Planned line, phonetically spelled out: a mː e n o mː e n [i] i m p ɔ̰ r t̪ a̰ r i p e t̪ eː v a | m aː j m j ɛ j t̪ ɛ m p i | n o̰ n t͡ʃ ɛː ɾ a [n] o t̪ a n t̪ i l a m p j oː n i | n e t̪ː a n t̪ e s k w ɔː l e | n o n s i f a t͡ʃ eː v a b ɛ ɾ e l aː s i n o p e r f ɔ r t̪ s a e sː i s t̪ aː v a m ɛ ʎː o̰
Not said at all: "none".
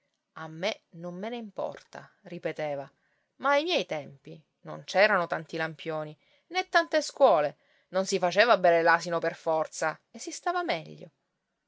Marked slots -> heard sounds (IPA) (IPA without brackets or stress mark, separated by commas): e, n